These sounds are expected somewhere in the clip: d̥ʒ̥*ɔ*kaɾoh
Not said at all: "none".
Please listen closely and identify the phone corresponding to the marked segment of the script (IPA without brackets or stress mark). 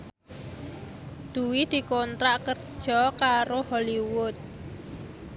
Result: ɔ